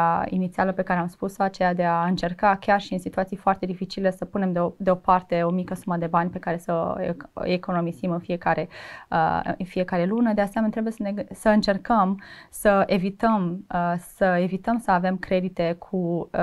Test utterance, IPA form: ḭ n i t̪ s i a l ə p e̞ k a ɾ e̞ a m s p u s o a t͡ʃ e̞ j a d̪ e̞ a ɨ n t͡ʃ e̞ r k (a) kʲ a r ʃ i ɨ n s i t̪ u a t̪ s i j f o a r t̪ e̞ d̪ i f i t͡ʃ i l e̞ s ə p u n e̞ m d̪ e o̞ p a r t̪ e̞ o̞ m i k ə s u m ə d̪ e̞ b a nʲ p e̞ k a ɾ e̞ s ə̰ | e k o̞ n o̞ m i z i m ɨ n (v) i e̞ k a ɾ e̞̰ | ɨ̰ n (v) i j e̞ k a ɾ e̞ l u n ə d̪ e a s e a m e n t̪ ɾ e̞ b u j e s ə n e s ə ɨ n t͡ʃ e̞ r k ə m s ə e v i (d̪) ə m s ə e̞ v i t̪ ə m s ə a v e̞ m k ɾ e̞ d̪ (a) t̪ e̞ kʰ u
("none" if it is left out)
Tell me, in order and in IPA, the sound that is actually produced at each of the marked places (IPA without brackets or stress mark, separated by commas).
a, f, f, t̪, i